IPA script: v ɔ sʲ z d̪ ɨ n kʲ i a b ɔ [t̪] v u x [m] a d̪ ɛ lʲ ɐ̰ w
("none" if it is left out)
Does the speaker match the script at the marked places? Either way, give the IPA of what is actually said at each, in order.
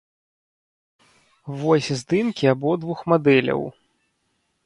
d̪, m

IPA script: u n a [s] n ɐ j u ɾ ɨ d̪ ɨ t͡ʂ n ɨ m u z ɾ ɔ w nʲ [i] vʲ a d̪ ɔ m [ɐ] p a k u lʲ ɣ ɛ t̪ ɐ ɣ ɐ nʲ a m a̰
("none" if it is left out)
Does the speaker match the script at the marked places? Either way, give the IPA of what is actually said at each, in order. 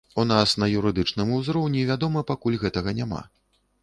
s, i, ɐ

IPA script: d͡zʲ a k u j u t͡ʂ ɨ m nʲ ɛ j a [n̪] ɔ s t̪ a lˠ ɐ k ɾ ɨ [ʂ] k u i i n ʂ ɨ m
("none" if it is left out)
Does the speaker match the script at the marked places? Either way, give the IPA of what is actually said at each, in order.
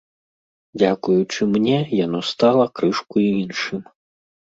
n̪, ʂ

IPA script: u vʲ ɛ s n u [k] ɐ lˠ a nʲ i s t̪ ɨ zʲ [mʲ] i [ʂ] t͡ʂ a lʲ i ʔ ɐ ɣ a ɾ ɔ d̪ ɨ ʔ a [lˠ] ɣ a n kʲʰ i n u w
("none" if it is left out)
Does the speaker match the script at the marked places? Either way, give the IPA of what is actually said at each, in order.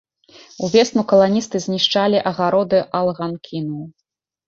k, nʲ, ʂ, lˠ

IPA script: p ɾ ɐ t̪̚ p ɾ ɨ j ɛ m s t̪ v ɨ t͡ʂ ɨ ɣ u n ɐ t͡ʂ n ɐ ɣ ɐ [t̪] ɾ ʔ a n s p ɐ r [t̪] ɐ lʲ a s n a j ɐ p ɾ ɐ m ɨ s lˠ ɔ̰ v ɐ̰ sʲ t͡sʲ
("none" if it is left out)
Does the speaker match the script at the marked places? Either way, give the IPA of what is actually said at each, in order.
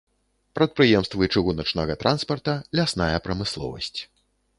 t̪, t̪

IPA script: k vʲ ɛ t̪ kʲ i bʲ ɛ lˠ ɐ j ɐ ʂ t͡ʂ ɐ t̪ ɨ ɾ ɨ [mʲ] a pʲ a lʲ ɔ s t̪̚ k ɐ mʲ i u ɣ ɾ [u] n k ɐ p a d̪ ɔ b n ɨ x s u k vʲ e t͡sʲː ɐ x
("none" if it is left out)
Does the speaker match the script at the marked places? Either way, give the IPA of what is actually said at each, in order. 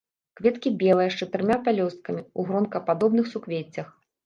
mʲ, ɔ

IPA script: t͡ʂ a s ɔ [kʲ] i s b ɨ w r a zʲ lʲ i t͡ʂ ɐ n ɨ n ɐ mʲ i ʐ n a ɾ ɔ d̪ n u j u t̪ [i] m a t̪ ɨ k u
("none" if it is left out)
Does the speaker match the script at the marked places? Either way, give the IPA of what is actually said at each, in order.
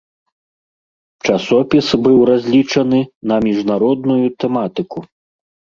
pʲ, ɛ

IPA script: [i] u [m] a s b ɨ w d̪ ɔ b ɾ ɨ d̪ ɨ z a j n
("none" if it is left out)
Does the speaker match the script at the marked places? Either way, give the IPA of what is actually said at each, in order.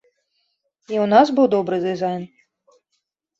i, n

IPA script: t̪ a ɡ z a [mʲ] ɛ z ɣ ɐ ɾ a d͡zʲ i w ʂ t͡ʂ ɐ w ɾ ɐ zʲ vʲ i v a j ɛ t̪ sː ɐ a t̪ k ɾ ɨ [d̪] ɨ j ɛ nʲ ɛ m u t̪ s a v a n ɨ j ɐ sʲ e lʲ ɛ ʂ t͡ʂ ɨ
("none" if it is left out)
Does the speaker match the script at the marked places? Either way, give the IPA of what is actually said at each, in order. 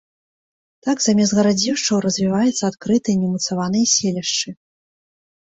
mʲ, t̪

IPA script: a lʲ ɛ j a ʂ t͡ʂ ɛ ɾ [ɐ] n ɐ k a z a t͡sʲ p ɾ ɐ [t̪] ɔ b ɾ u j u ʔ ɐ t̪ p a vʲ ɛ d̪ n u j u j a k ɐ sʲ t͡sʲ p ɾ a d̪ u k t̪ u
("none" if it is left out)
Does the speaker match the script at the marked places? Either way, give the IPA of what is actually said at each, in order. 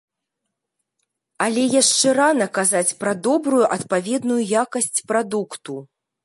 a, d̪

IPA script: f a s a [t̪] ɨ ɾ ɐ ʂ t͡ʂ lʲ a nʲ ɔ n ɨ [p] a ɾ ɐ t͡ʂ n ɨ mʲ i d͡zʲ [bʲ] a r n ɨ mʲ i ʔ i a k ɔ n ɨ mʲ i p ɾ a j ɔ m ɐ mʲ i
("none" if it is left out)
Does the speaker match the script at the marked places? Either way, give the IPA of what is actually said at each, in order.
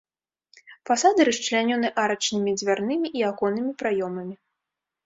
d̪, ʔ, vʲ

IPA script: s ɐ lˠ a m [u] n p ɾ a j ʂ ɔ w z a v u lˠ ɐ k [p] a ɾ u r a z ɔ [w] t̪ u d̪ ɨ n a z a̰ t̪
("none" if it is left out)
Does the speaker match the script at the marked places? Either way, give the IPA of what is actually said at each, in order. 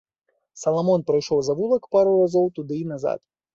ɔ, p, w

